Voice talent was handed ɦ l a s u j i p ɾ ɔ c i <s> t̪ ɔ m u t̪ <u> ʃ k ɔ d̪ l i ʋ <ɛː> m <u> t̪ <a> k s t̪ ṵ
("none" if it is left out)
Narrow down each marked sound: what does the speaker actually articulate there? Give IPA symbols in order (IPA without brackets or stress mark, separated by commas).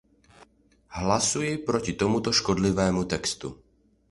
none, ɔ, ɛː, u, ɛ